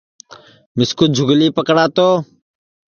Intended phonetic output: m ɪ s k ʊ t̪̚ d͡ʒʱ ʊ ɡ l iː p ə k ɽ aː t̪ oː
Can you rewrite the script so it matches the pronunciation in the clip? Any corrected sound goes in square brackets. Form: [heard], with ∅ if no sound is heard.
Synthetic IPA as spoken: m ɪ s k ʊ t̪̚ d͡ʒʱ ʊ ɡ l iː p ə k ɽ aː t̪ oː